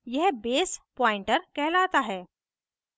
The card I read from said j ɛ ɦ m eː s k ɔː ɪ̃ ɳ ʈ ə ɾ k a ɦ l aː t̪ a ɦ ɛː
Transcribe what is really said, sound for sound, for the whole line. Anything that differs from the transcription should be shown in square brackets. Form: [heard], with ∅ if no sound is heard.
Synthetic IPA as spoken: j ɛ ɦ [b] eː s [p] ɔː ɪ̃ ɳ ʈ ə ɾ k [ɛ] ɦ l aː t̪ a ɦ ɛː